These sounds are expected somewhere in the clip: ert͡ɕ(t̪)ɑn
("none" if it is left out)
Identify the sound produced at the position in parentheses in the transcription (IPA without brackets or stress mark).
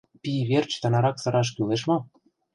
t̪